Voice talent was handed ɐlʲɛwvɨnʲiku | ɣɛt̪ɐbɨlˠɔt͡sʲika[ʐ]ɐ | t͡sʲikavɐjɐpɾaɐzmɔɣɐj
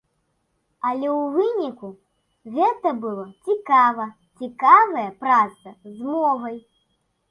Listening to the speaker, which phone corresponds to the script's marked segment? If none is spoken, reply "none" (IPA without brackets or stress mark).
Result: v